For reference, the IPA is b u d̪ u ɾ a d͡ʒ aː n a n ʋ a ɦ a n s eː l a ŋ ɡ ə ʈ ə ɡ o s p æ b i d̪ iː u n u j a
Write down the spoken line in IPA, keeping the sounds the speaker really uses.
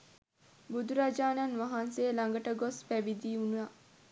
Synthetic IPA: b u d̪ u ɾ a d͡ʒ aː n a n ʋ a ɦ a n s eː l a ŋ ɡ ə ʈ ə ɡ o s p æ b i d̪ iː u n u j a